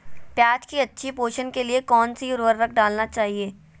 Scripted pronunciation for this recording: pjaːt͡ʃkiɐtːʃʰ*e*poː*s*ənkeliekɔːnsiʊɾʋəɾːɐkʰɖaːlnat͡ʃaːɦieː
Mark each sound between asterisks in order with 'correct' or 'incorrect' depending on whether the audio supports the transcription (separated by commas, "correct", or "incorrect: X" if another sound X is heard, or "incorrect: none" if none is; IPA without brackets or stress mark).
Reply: incorrect: i, incorrect: ʃ